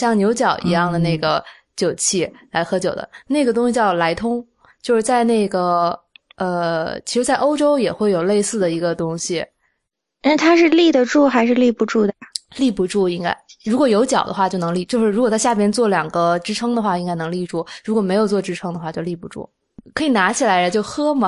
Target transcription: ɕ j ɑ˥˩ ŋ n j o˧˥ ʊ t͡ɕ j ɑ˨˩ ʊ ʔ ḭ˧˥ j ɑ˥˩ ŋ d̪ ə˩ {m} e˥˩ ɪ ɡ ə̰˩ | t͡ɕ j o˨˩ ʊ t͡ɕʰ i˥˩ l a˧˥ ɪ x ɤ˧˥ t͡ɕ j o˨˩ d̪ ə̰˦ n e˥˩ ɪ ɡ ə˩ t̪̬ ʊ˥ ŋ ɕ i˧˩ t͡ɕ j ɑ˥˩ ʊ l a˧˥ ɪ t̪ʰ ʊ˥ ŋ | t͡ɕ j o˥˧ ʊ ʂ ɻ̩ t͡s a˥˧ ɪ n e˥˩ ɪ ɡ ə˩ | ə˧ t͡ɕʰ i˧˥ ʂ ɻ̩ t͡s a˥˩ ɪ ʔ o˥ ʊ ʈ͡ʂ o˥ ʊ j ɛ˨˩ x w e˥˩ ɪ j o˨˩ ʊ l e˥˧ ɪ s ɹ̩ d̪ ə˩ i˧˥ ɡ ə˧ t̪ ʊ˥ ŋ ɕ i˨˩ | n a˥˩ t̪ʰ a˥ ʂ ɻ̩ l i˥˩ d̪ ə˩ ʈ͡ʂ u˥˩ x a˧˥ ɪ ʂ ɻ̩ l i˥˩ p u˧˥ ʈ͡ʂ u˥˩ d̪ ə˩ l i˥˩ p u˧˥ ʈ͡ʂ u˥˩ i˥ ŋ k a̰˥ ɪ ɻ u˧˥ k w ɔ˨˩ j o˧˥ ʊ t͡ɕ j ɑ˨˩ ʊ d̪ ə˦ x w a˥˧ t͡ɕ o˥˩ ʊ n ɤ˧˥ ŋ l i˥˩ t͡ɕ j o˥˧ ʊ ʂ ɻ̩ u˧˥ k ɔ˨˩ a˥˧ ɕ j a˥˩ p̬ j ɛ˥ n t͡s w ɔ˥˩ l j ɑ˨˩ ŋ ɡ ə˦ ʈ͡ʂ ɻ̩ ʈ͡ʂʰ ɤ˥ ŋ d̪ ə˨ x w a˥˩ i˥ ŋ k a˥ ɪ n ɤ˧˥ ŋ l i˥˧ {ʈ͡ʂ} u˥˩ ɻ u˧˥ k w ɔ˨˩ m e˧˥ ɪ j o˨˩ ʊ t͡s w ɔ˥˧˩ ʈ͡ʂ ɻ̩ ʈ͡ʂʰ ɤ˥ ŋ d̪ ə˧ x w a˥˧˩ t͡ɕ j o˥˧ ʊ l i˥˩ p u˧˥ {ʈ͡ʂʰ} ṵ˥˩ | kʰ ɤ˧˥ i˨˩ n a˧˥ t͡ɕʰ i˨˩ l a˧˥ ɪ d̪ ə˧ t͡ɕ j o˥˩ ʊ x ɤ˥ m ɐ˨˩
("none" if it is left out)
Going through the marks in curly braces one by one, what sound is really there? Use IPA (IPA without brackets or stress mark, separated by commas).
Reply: n, ʈ͡ʂ, ʈ͡ʂ